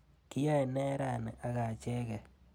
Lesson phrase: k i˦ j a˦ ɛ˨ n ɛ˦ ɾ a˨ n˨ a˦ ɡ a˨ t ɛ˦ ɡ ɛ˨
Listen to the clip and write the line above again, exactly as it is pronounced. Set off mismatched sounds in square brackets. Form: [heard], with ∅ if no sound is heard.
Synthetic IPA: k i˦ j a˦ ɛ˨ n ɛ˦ ɾ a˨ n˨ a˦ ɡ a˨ [t͡ʃ] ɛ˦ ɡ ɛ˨